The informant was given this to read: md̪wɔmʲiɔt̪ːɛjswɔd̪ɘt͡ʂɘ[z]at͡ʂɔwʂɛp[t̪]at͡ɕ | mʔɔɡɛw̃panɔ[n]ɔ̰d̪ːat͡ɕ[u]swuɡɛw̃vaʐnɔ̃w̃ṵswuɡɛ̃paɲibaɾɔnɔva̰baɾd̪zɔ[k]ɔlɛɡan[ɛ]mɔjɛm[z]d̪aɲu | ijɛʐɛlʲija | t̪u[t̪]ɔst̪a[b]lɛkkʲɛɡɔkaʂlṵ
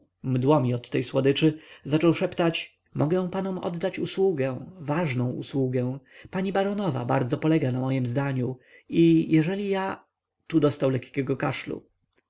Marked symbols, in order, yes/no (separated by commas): yes, yes, no, yes, no, no, yes, no, no